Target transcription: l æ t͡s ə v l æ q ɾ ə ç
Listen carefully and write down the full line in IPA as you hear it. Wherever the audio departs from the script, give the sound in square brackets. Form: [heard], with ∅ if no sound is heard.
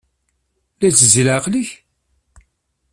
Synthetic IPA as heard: l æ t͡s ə [z] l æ q [l] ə ç